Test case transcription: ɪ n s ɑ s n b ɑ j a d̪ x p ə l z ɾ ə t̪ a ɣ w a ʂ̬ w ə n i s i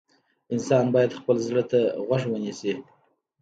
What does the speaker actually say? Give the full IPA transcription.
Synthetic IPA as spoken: ɪ n s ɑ n b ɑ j a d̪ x p ə l z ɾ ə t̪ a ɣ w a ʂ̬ w ə n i s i